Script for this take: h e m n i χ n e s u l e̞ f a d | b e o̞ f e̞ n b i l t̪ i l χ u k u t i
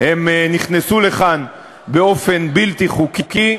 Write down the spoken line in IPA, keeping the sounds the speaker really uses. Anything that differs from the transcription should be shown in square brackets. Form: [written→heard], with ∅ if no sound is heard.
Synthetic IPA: h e m n i χ n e s u l e̞ [f→χ] a [d→n] | b e o̞ f e̞ n b i l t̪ i [l→∅] χ u k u [t→k] i